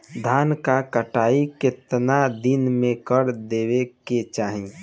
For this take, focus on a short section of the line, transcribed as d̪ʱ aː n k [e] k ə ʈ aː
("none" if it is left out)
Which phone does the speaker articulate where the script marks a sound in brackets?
a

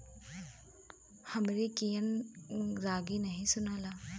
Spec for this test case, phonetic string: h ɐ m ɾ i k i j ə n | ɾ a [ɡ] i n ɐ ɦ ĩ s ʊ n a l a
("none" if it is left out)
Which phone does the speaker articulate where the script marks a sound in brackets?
ɡ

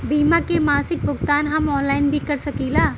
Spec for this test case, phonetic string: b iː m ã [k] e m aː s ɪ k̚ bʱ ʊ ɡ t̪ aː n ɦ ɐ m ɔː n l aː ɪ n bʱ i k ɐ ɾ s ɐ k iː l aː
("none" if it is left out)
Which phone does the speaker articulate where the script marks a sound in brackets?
k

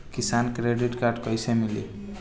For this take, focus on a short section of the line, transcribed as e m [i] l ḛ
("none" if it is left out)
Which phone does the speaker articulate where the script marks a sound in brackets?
i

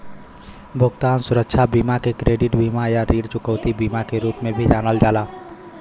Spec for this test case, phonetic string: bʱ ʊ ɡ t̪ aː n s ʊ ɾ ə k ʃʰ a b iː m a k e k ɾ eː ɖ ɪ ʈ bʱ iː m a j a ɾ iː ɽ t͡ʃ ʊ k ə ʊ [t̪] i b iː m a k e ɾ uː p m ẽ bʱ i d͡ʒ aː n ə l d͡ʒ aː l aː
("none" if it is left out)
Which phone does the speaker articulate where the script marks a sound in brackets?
t̪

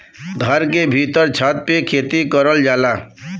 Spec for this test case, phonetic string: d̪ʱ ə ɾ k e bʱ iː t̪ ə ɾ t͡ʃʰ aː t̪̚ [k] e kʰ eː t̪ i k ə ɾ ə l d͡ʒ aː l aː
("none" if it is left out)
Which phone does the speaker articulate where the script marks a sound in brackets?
p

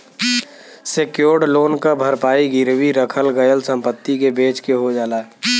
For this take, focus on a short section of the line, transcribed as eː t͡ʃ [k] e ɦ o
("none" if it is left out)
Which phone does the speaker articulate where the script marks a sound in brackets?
k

